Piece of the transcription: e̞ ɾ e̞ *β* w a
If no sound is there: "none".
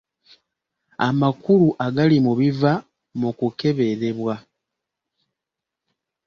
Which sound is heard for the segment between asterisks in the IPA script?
β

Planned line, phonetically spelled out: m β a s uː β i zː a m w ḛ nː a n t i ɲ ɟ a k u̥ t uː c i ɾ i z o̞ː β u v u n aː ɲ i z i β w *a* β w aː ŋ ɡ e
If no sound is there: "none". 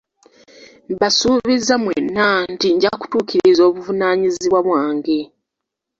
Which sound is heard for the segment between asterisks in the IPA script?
a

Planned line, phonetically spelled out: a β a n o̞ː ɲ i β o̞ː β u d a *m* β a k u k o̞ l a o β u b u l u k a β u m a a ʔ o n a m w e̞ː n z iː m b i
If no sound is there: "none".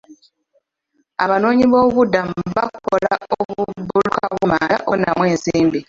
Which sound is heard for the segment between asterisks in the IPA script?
m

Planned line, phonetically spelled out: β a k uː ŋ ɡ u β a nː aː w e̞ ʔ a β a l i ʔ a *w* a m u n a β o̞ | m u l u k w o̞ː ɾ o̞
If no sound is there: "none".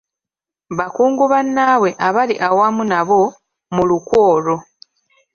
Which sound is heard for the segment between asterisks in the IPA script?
w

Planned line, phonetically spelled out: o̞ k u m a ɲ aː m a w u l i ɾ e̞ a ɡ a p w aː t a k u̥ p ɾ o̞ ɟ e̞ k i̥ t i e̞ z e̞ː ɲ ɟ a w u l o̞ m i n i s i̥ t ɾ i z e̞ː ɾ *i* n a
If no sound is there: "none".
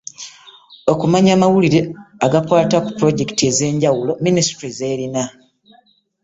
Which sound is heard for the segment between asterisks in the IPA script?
i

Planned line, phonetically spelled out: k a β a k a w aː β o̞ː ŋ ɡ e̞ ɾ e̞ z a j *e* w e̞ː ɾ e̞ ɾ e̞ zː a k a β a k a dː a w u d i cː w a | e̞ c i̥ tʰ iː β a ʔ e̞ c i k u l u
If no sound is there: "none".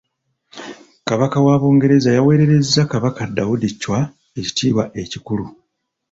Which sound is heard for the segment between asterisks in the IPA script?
a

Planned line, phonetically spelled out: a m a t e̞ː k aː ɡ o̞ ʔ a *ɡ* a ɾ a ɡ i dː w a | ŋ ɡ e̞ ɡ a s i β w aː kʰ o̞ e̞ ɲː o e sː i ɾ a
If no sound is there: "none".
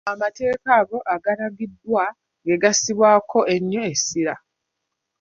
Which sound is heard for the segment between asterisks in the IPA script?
ɡ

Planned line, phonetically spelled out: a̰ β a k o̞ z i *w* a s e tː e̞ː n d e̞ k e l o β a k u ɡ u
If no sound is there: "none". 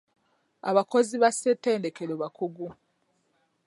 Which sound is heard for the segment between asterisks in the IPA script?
β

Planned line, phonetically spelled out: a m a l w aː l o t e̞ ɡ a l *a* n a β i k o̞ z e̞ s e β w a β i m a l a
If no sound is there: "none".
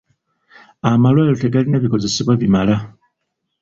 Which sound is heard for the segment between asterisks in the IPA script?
i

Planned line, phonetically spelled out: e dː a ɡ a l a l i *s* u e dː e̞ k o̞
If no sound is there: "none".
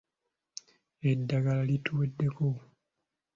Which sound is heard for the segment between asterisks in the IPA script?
t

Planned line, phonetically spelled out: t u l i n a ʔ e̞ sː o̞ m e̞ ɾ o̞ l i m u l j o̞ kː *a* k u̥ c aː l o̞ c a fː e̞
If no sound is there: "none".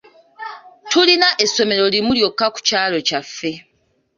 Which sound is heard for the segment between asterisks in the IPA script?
a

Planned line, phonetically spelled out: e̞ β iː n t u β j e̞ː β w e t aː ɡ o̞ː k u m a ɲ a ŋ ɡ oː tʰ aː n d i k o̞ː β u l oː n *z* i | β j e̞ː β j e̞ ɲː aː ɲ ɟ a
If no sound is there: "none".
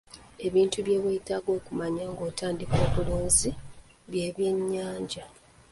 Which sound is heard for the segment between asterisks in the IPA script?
z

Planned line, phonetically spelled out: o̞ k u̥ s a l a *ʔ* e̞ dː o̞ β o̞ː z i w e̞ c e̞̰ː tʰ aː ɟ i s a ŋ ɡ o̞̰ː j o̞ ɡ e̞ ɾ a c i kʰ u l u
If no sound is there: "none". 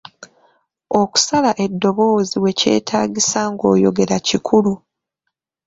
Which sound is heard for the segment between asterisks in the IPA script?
ʔ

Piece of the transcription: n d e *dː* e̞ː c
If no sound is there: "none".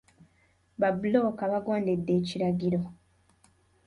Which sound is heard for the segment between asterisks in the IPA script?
dː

